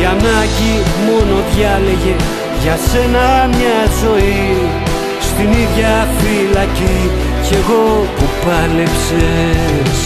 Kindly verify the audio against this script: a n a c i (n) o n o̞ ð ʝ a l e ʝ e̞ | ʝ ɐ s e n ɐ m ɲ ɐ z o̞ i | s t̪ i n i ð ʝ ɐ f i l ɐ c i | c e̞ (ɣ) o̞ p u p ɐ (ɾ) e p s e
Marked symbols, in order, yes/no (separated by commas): no, yes, no